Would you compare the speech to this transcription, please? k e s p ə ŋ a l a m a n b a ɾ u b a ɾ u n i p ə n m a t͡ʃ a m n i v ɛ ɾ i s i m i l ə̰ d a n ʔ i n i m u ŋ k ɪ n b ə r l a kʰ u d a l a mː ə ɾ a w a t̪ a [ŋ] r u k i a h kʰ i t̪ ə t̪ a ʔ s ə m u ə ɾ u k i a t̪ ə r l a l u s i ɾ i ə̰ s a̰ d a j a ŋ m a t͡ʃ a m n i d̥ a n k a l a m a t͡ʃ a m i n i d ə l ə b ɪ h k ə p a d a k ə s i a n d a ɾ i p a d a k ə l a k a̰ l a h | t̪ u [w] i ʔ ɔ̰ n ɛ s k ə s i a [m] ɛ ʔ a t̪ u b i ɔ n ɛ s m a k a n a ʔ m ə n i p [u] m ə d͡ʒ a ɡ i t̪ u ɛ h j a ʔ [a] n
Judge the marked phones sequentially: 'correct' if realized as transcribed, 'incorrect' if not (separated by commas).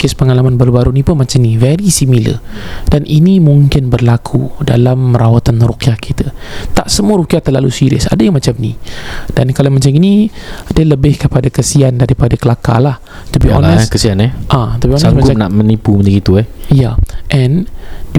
incorrect, incorrect, incorrect, correct, incorrect